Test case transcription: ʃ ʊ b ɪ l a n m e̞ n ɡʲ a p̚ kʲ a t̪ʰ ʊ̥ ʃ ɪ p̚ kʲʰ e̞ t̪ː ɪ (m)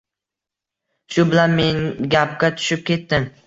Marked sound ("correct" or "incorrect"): correct